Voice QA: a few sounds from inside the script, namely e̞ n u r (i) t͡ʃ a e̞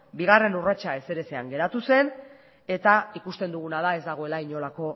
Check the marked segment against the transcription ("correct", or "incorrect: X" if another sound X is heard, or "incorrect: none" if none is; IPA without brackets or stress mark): incorrect: a